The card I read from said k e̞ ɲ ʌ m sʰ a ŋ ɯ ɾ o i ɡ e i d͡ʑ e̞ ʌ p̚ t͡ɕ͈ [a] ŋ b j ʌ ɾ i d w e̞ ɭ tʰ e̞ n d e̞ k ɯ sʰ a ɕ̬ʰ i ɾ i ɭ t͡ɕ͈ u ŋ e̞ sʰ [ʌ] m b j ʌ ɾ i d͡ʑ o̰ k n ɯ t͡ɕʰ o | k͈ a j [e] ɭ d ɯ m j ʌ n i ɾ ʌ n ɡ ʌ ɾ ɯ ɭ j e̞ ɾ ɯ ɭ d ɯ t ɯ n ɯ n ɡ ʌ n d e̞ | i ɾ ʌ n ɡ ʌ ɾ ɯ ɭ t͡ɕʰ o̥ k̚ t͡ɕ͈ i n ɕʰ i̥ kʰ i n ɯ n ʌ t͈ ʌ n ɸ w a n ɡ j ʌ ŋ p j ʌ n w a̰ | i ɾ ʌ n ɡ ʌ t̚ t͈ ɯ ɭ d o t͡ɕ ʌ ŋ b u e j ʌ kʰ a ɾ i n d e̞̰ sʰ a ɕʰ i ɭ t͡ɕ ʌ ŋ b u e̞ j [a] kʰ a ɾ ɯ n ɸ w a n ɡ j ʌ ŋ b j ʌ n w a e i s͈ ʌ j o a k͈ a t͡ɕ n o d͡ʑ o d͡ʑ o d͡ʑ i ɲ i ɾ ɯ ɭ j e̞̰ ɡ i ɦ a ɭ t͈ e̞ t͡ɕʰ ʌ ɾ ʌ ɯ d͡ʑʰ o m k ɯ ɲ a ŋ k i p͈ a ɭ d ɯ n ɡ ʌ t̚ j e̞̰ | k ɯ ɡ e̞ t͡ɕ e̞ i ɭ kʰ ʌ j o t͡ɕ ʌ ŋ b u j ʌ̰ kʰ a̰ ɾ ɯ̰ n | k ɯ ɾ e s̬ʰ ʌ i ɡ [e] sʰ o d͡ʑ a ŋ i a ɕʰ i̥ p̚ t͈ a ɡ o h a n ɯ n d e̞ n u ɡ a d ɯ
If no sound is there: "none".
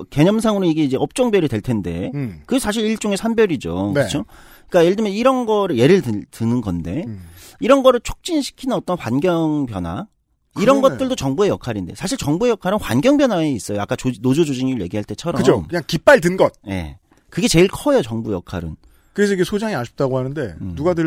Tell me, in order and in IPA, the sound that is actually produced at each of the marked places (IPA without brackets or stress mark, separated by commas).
ʌ, a, e, ʌ, e